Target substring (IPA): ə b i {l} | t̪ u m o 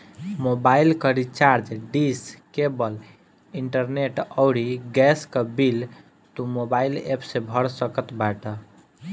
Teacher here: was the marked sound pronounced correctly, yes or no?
yes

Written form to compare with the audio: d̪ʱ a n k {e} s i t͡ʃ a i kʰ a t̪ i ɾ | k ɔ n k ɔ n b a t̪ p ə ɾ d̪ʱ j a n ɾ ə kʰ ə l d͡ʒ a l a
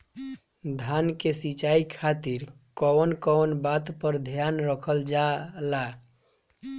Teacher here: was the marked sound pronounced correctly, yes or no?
yes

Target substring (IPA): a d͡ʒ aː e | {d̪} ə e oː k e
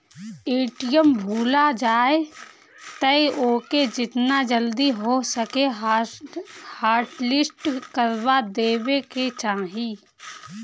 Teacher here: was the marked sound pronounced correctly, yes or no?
no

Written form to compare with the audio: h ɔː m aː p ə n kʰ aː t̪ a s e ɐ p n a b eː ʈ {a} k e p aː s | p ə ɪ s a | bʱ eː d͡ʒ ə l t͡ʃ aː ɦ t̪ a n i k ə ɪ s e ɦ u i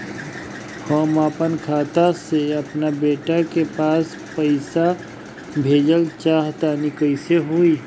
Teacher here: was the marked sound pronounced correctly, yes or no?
yes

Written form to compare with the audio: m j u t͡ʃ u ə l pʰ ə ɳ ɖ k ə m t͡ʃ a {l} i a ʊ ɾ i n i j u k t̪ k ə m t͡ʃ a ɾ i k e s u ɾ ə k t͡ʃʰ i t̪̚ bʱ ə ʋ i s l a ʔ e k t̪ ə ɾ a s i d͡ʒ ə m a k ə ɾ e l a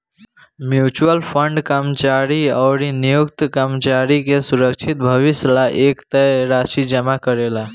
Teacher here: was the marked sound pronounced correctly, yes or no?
no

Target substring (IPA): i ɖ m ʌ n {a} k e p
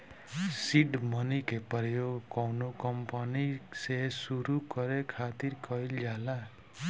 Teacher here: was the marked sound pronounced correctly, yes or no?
no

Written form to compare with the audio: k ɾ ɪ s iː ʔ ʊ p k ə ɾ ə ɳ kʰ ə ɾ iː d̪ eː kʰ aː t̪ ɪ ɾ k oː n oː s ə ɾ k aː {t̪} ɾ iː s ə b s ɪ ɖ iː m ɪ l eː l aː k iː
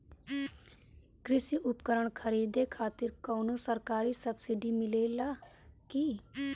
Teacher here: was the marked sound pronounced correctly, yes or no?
no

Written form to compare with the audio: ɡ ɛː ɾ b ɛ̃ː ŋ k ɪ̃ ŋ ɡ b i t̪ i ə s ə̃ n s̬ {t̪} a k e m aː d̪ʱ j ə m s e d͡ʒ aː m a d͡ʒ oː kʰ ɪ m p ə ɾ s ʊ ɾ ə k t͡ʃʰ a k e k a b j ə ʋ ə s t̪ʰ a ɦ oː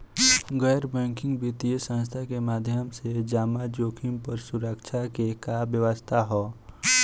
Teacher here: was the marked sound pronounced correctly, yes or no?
no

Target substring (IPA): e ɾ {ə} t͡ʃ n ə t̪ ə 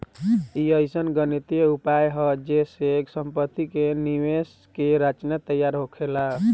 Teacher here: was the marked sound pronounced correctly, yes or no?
no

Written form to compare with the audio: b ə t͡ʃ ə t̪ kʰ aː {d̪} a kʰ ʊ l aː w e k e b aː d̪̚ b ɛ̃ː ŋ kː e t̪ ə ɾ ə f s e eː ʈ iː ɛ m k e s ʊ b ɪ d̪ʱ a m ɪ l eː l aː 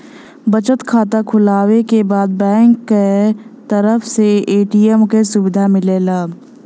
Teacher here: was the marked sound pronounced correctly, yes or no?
no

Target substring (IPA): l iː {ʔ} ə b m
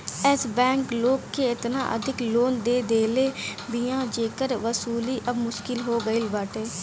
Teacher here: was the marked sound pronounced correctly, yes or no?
yes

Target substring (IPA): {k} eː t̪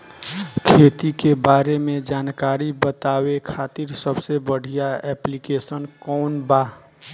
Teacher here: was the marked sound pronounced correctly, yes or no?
no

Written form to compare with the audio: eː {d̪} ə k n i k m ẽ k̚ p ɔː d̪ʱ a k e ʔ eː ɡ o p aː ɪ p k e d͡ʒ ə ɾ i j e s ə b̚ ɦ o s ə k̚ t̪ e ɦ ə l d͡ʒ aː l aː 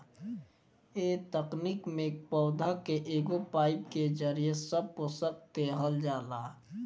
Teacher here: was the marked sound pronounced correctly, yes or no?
no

